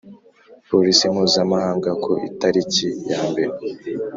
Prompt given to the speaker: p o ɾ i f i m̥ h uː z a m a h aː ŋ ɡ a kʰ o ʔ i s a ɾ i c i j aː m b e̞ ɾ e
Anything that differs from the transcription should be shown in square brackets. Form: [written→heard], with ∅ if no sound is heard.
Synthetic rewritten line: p o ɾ i [f→s] i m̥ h uː z a m a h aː ŋ ɡ a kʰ o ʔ i [s→t] a ɾ i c i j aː m b e̞ ɾ e